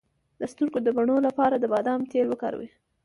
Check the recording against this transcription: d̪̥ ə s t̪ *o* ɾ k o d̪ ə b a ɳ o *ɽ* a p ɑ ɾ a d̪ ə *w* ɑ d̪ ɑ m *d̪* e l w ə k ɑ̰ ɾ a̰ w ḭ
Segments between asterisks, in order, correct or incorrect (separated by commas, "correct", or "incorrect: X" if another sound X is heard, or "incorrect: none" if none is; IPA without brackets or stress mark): incorrect: u, incorrect: l, incorrect: b, incorrect: t̪